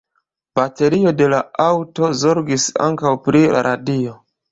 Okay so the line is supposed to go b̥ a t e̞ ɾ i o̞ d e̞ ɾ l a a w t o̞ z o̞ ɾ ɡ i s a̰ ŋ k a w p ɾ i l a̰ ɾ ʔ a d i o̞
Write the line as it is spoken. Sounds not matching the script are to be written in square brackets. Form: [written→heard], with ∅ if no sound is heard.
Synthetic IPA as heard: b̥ a t e̞ ɾ i o̞ d e̞ [ɾ→∅] l a a w t o̞ z o̞ ɾ ɡ i s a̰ ŋ k a w p ɾ i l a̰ ɾ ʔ a d i o̞